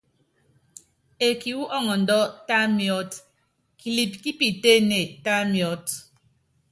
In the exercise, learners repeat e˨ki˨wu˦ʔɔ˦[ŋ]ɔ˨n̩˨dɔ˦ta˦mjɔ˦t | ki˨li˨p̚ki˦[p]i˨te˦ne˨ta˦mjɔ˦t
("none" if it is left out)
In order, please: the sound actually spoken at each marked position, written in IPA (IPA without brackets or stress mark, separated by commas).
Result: ŋ, p